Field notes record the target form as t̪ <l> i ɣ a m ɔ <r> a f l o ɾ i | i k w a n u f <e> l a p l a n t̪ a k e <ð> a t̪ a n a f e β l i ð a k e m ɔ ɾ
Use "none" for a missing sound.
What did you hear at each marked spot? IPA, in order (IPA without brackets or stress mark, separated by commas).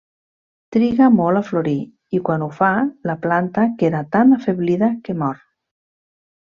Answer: ɾ, l, a, ð